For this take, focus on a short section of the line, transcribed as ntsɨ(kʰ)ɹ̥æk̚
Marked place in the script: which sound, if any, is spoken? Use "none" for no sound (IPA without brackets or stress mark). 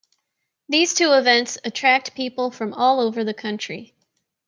tʰ